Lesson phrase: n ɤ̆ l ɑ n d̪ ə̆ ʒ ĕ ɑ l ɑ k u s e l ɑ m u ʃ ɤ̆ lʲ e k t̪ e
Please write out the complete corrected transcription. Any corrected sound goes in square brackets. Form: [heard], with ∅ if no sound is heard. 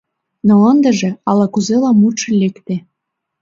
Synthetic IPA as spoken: n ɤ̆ l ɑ n d̪ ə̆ ʒ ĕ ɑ l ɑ k u [z] e l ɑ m u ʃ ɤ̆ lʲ e k t̪ e